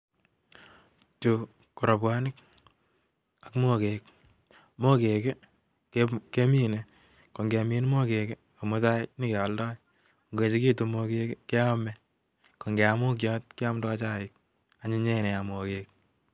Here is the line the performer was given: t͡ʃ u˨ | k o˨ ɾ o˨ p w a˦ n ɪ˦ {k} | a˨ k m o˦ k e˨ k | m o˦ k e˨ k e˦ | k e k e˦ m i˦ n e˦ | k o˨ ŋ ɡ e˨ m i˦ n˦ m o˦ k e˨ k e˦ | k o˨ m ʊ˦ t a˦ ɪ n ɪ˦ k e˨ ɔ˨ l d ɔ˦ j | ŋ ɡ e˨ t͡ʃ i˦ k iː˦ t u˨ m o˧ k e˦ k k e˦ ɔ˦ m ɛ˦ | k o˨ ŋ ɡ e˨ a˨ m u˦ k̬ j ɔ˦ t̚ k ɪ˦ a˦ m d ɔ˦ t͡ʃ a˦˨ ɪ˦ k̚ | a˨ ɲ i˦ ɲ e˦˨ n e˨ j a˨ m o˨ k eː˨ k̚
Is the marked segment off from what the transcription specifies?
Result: no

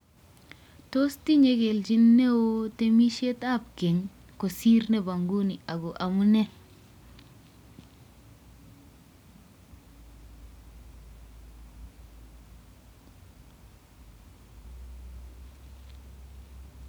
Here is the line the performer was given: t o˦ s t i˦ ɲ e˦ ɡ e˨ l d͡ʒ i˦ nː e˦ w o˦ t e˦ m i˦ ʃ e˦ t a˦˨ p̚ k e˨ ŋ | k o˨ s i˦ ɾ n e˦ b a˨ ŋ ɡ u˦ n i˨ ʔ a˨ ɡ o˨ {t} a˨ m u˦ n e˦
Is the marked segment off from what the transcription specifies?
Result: yes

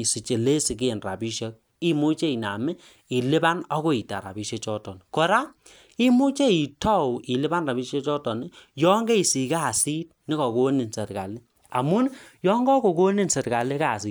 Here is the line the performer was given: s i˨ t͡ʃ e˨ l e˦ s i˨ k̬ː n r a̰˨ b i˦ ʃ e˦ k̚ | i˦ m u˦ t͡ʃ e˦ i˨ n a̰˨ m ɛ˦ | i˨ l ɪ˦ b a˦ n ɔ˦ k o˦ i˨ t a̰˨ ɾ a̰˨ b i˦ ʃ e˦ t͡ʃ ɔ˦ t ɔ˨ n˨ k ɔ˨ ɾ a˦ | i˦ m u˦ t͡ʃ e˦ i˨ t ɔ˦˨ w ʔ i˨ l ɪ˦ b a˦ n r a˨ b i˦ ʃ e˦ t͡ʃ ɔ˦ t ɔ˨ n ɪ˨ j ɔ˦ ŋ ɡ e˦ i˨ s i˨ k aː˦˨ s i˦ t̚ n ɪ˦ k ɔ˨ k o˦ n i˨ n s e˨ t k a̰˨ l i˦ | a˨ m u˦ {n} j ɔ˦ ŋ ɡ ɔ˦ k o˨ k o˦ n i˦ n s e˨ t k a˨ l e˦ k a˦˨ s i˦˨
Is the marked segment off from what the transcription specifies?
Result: no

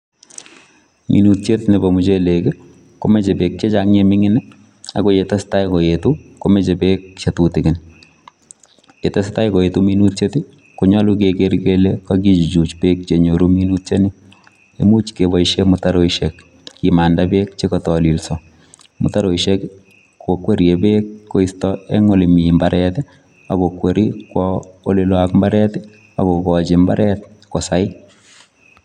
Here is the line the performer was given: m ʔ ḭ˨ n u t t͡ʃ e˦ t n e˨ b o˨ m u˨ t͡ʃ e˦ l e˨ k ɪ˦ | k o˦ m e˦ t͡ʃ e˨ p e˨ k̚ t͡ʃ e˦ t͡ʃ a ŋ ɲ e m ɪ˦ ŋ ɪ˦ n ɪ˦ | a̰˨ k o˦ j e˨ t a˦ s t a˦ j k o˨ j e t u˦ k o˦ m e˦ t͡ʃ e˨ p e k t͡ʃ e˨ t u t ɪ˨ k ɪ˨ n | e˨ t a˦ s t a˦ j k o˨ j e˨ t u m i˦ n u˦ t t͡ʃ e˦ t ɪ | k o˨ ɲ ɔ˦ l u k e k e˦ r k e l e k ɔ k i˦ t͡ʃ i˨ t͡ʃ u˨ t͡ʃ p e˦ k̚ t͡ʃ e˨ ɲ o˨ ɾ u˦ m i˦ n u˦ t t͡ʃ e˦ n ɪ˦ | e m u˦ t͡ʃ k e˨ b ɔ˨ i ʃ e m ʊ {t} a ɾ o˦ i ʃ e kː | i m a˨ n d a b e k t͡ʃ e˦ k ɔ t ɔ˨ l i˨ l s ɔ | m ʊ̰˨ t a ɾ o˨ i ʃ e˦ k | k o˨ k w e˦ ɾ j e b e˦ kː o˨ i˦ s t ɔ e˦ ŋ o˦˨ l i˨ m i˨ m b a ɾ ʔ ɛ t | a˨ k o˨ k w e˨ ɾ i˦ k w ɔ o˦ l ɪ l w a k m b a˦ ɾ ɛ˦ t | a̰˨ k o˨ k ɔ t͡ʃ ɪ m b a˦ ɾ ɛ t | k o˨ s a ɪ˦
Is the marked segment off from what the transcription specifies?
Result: no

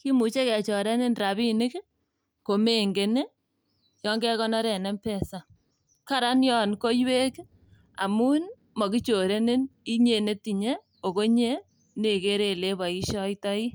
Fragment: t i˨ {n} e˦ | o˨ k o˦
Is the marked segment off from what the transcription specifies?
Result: yes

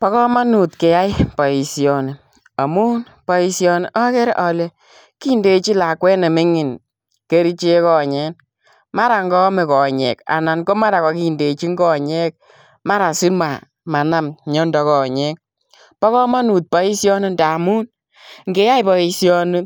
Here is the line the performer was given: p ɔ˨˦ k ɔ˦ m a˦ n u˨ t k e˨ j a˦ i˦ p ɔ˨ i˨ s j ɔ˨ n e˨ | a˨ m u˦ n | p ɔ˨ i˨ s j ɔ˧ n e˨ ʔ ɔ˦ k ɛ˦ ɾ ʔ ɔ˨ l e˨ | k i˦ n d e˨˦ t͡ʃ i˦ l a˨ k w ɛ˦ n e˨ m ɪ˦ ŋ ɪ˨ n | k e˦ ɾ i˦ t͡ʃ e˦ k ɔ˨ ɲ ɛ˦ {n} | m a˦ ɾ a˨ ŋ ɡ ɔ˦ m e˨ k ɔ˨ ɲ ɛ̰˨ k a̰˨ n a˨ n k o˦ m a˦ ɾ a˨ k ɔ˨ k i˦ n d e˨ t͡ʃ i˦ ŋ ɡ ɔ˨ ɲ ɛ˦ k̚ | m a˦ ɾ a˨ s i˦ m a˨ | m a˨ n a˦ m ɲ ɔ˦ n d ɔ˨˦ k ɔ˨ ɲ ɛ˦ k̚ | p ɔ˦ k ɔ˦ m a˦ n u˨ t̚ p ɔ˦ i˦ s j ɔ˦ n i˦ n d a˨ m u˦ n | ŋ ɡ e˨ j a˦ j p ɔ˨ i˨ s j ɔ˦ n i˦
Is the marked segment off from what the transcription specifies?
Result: no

